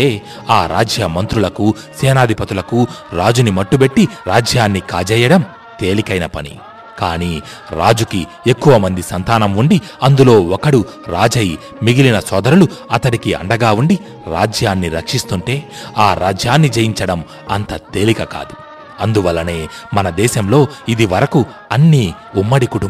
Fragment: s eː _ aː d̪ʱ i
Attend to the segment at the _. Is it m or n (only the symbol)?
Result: n